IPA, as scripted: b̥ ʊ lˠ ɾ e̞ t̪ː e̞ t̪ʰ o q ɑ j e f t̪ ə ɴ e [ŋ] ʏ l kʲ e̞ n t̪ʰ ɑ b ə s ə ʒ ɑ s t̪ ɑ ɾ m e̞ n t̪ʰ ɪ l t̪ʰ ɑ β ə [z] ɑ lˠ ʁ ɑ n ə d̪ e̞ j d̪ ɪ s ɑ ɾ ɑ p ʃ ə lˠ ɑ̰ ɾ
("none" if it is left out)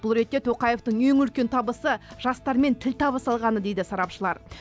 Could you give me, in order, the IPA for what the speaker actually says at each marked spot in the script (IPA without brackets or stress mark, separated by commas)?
ŋ, s